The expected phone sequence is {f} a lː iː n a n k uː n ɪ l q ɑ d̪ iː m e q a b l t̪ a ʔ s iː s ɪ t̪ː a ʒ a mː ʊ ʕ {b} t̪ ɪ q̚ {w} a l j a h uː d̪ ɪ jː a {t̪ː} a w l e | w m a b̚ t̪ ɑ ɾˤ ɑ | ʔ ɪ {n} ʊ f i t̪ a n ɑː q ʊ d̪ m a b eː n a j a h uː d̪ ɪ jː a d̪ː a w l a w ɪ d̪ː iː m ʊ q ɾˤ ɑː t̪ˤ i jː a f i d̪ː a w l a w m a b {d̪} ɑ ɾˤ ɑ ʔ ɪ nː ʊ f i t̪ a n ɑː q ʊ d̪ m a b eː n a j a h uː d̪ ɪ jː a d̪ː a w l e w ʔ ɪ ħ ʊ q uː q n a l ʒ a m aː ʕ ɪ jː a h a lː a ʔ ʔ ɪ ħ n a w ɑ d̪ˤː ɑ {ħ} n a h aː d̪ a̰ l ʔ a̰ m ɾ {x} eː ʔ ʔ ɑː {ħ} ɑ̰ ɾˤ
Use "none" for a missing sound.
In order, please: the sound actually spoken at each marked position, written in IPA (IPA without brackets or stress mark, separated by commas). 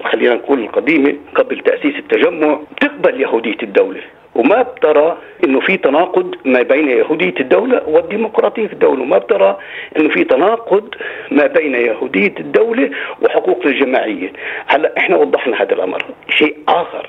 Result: x, b, b, d̪ː, nː, t̪, ħ, ʃ, x